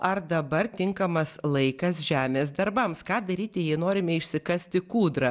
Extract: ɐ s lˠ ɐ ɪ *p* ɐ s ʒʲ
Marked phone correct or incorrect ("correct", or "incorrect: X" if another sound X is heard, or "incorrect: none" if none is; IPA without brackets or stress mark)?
incorrect: k